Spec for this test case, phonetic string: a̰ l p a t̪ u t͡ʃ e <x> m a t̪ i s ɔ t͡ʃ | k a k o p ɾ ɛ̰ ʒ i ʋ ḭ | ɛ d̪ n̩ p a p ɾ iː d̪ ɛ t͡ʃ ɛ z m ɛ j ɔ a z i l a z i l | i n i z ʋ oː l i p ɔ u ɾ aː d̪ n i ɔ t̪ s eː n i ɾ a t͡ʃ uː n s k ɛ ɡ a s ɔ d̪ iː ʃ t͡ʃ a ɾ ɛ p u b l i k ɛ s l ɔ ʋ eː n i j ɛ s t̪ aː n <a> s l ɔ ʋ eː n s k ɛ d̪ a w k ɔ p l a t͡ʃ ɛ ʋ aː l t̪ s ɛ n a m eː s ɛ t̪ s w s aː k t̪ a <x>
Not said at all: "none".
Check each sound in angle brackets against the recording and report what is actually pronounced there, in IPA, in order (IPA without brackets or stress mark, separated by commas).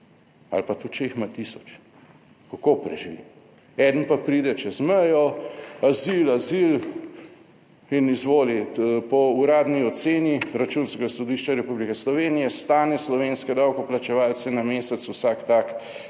x, ɛ, k